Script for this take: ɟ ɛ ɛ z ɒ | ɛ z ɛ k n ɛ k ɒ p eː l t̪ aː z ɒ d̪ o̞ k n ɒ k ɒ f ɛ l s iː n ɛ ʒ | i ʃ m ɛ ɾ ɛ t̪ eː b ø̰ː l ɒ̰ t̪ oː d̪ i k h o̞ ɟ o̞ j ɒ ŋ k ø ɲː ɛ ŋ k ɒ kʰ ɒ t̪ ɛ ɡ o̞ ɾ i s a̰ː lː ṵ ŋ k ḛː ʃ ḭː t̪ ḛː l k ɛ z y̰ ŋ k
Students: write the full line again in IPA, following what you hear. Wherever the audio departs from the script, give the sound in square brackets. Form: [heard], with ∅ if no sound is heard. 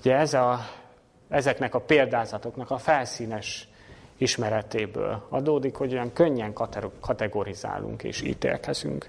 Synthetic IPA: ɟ ɛ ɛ z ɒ | ɛ z ɛ k n ɛ k ɒ p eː l [d̪] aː z ɒ [t̪] o̞ k n ɒ k ɒ f ɛ l s iː n ɛ [ʃ] | i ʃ m ɛ ɾ ɛ t̪ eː b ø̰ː l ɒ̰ [d̪] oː d̪ i k h o̞ ɟ o̞ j ɒ ŋ k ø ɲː ɛ ŋ k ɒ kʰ ɒ t̪ ɛ ɡ o̞ ɾ i [z] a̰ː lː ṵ ŋ k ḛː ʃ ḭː t̪ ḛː l k ɛ z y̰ ŋ k